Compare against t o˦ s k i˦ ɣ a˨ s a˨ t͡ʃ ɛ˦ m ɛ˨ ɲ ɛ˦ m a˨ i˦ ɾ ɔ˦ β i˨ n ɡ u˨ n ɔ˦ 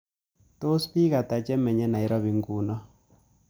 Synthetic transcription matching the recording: t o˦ s p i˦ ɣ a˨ t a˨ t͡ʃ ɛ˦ m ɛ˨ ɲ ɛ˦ n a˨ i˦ ɾ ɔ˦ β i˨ ŋ ɡ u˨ n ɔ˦